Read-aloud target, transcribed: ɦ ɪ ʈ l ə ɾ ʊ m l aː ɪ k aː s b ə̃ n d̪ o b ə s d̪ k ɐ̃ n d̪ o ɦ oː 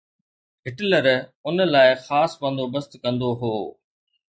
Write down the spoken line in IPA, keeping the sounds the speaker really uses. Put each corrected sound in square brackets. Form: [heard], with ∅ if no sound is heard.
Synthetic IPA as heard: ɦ ɪ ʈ l ə ɾ ʊ [n] l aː ɪ [x] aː s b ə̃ n d̪ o b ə s [t̪] k ɐ̃ n d̪ o ɦ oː